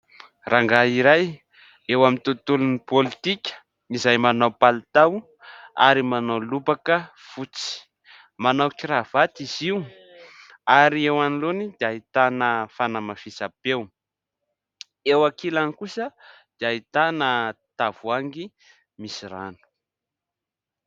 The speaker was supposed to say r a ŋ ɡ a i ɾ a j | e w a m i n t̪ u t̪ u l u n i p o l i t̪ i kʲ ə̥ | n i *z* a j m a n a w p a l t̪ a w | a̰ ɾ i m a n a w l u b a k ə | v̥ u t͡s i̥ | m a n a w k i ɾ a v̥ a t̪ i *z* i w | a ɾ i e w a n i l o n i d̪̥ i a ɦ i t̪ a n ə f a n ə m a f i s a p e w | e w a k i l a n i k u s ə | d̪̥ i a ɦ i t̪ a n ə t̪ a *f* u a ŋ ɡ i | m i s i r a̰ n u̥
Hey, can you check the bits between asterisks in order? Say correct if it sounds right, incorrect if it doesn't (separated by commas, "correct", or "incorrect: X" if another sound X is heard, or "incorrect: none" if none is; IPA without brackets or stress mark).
correct, correct, incorrect: v